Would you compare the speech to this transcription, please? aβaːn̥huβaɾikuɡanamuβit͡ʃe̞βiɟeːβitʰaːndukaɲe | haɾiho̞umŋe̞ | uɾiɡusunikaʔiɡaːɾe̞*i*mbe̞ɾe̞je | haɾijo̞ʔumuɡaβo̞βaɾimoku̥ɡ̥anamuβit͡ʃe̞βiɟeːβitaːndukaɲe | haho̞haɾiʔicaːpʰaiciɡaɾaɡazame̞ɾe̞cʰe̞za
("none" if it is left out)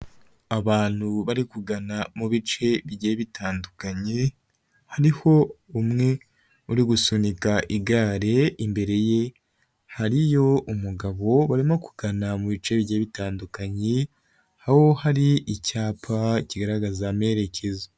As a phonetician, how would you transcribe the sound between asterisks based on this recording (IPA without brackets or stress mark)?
i